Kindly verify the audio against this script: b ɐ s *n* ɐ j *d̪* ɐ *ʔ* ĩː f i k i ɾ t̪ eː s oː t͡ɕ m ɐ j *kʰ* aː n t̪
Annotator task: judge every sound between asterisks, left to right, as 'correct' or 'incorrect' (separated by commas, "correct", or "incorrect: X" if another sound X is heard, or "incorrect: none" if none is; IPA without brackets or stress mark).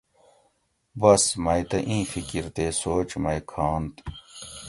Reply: incorrect: m, incorrect: t̪, correct, correct